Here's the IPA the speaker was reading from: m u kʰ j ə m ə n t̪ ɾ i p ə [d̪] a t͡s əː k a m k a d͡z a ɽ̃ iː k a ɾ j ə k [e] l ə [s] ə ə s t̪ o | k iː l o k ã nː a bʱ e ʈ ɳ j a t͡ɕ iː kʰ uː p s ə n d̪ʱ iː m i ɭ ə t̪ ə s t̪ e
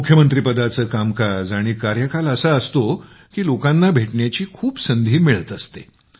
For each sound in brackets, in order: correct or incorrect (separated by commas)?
correct, incorrect, correct